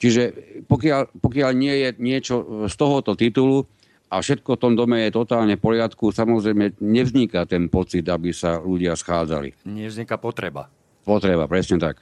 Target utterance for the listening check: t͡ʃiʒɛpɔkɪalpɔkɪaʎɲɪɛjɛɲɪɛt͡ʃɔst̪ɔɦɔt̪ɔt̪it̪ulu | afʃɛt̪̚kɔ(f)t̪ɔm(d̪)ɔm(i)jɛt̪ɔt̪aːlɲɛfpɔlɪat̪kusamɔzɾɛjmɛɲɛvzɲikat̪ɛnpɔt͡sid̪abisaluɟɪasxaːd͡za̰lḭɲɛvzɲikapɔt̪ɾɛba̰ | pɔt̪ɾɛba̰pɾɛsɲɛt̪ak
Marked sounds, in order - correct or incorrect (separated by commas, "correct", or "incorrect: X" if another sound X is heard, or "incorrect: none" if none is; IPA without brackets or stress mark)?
correct, correct, incorrect: ɛ